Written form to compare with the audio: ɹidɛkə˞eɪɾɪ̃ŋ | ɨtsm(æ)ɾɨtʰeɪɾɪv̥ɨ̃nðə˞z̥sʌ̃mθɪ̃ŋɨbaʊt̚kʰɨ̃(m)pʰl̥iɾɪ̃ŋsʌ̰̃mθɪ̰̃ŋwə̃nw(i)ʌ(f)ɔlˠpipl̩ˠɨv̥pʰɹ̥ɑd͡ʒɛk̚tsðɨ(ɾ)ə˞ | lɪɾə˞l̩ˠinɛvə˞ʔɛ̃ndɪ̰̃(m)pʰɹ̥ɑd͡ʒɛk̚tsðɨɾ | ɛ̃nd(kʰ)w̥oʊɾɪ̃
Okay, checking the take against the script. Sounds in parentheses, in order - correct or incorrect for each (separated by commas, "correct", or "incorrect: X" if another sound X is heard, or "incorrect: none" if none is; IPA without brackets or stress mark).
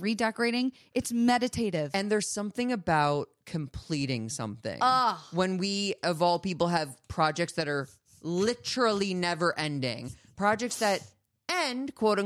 incorrect: ɛ, correct, correct, incorrect: v, correct, incorrect: ŋ, correct